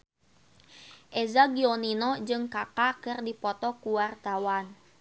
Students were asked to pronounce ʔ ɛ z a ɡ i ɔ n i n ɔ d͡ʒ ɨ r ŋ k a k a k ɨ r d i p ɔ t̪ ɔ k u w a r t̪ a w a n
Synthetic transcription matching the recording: ʔ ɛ z a ɡ i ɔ n i n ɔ d͡ʒ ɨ ŋ k a k a k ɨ r d i p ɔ t̪ ɔ k u w a r t̪ a w a n